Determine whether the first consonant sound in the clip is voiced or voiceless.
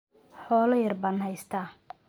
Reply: voiceless